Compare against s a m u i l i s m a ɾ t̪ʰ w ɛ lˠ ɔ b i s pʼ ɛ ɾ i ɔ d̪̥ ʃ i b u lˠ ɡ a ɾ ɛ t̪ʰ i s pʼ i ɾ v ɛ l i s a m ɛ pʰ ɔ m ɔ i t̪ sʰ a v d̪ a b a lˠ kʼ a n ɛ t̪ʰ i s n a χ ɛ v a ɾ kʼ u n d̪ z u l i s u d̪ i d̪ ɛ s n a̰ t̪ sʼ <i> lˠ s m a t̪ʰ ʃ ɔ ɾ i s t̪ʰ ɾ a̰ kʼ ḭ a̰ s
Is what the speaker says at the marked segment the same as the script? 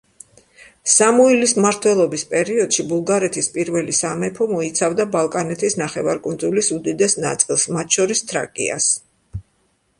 yes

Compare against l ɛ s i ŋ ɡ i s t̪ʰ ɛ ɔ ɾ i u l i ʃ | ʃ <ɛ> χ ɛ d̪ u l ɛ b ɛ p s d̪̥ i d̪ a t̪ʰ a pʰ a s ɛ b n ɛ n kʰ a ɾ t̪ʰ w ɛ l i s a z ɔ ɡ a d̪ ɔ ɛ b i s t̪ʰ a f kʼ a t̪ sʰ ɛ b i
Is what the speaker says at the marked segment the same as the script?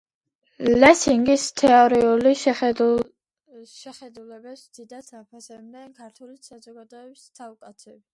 yes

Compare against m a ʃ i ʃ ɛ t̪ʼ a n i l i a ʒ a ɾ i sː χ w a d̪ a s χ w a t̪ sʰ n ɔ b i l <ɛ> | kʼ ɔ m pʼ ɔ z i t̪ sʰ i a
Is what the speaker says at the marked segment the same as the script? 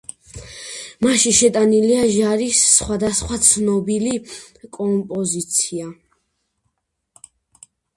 no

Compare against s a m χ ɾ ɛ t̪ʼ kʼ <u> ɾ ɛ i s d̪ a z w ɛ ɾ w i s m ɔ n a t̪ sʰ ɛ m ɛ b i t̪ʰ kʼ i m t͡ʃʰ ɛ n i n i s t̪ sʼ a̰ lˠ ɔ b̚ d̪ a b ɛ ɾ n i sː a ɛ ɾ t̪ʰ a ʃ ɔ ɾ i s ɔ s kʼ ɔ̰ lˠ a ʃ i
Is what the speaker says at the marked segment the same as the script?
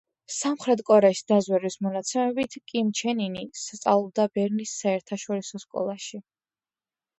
no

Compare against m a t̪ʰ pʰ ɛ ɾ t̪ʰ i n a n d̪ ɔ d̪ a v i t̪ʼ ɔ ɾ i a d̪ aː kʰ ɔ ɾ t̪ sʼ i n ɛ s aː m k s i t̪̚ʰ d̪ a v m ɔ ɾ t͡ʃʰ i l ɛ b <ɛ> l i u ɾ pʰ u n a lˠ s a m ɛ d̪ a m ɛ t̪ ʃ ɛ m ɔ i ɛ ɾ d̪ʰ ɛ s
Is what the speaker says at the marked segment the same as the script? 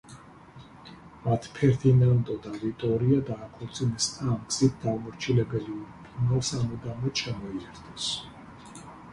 yes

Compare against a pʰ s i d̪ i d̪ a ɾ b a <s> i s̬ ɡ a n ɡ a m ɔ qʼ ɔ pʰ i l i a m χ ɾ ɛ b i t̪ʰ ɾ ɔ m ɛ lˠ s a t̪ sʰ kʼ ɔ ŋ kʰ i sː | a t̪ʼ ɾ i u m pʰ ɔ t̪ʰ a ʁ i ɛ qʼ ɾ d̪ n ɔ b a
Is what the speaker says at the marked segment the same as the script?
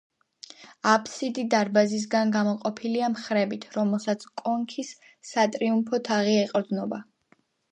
no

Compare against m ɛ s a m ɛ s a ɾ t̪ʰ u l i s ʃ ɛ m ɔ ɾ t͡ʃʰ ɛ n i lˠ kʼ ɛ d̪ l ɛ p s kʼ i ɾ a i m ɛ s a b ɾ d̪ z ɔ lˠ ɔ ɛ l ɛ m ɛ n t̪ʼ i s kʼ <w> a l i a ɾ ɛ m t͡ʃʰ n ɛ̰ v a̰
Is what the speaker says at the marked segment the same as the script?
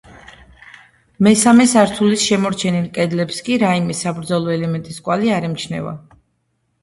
yes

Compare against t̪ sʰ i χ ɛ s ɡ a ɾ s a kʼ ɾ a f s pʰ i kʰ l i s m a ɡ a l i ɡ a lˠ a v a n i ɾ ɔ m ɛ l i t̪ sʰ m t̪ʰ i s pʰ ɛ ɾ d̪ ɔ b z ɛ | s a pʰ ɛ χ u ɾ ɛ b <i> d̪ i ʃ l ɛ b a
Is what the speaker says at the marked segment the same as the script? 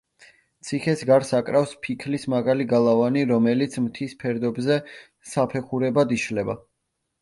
no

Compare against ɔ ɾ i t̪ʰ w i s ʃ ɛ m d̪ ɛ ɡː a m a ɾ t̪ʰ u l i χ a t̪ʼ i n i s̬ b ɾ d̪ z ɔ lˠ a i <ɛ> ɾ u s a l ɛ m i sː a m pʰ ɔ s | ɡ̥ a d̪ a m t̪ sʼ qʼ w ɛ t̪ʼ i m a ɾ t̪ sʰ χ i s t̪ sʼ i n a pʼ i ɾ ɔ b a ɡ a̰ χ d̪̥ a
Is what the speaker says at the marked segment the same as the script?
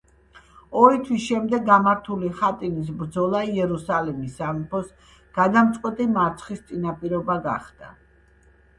yes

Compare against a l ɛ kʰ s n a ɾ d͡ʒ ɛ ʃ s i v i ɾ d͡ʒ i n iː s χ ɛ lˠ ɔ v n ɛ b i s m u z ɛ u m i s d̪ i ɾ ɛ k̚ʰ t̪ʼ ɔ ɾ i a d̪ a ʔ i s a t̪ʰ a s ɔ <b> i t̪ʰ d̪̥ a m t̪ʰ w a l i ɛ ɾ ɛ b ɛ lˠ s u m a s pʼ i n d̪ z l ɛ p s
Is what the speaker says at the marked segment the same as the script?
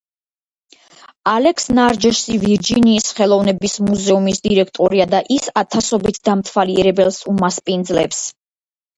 yes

